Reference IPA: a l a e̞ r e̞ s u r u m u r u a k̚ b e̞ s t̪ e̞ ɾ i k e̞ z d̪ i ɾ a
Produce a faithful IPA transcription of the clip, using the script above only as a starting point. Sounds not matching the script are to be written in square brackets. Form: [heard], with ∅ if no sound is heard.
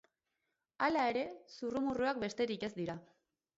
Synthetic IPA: a l a e̞ [ɾ] e̞ s u r u m u r u a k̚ b e̞ s t̪ e̞ ɾ i k e̞ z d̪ i ɾ a